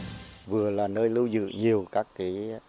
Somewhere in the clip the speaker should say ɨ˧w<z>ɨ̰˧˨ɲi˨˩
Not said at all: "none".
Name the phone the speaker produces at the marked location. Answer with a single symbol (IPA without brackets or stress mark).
z